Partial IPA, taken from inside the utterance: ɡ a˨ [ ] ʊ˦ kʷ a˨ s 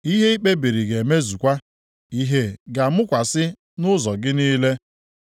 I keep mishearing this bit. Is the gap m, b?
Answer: m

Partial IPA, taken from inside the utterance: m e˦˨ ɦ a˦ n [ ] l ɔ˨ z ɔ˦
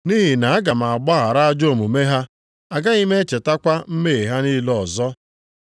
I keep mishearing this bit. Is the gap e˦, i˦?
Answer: i˦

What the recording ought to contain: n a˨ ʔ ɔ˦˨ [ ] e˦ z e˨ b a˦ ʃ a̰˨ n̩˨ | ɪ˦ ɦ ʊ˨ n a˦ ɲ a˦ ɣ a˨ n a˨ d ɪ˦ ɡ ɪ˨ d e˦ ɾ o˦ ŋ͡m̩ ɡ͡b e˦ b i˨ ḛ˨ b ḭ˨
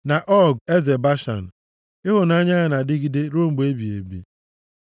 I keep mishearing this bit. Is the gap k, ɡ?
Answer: ɡ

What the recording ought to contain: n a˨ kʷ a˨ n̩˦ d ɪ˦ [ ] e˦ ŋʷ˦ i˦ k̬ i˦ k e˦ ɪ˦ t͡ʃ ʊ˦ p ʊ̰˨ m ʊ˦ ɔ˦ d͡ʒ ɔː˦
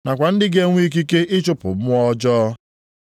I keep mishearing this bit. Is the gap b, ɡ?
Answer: ɡ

